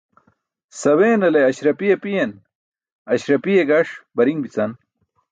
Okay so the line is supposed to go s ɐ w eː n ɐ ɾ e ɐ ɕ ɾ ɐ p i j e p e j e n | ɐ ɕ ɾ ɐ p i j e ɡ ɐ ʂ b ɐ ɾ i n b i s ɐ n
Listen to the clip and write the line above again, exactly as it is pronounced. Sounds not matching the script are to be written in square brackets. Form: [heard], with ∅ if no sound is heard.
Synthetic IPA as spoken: s ɐ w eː n ɐ [l] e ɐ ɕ ɾ ɐ p i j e p [i] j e n | ɐ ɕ ɾ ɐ p i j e ɡ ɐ ʂ b ɐ ɾ i [ŋ] b i [t͡s] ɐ n